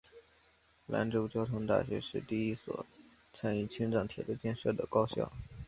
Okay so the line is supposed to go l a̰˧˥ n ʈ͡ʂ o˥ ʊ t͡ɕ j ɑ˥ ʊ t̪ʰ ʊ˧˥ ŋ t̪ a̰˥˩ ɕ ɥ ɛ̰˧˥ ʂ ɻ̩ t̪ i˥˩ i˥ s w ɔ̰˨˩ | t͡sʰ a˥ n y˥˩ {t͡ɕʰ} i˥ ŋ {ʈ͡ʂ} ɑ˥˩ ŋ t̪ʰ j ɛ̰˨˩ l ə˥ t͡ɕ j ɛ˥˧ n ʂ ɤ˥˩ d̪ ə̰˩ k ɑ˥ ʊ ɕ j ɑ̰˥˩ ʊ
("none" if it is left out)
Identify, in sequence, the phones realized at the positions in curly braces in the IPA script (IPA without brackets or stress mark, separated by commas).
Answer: t͡ɕʰ, ʈ͡ʂ